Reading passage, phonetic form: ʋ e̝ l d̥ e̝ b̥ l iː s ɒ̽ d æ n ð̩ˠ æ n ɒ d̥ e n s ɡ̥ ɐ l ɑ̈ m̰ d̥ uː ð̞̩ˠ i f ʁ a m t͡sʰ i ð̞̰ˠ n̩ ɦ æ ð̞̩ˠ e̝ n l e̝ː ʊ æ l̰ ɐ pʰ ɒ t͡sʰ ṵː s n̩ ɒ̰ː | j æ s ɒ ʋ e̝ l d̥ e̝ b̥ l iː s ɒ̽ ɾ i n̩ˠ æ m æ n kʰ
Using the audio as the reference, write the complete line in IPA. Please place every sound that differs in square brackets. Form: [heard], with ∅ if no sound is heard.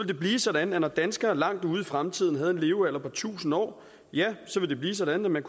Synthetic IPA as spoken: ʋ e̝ l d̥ e̝ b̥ l iː s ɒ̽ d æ n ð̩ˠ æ n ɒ d̥ [æ] n s ɡ̥ ɐ l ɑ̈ [ŋ̰] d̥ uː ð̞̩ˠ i f ʁ a m t͡sʰ i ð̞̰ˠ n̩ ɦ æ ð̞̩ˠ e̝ n l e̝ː ʊ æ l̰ ɐ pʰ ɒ t͡sʰ ṵː s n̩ ɒ̰ː | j æ s ɒ ʋ e̝ l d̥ e̝ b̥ l iː s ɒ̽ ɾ [æ] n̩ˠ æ m æ n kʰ